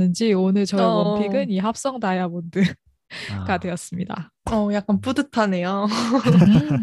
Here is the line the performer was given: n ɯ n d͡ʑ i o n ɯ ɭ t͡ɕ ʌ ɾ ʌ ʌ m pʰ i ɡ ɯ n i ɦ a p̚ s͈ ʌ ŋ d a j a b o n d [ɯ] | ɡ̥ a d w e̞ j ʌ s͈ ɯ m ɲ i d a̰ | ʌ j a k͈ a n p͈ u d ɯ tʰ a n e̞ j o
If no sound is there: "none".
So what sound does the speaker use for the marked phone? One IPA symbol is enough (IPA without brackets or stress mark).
ɯ